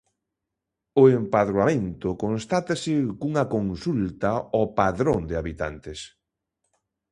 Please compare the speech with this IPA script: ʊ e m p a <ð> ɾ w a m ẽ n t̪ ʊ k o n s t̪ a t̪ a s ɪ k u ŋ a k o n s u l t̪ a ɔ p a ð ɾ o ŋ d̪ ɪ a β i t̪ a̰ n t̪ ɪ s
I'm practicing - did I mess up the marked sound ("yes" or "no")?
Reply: no